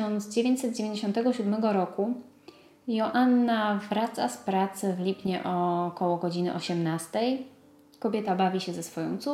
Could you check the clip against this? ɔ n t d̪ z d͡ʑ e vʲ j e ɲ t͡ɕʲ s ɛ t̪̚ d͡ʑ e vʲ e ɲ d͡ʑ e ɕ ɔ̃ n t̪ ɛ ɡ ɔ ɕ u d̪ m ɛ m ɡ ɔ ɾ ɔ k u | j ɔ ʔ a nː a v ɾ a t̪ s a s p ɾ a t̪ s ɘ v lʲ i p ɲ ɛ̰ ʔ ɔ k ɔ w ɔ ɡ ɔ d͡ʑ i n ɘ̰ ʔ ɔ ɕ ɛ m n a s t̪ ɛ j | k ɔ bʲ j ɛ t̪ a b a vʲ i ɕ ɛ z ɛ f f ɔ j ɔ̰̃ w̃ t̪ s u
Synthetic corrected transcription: ɔ n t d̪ z d͡ʑ e vʲ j e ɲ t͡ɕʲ s ɛ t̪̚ d͡ʑ e vʲ e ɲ d͡ʑ e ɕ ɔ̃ n t̪ ɛ ɡ ɔ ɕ u d̪ m ɛ ɡ ɔ ɾ ɔ k u | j ɔ ʔ a nː a v ɾ a t̪ s a s p ɾ a t̪ s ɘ v lʲ i p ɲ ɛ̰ ʔ ɔ k ɔ w ɔ ɡ ɔ d͡ʑ i n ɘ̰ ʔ ɔ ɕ ɛ m n a s t̪ ɛ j | k ɔ bʲ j ɛ t̪ a b a vʲ i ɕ ɛ z ɛ s f ɔ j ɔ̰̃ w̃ t̪ s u